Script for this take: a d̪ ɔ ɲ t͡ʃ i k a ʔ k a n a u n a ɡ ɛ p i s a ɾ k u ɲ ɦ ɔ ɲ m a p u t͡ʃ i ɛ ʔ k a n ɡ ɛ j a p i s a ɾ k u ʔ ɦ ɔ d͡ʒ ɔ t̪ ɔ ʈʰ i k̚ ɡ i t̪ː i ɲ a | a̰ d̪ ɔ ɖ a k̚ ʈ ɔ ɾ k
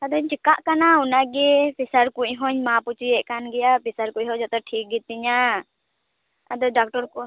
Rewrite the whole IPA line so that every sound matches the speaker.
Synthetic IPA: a d̪ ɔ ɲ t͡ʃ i k a ʔ k a n a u n a ɡ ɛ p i s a ɾ k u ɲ ɦ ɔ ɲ m a p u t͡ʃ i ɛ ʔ k a n ɡ ɛ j a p i s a ɾ k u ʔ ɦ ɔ d͡ʒ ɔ t̪ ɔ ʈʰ i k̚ ɡ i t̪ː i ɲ a | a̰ d̪ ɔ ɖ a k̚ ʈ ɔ ɾ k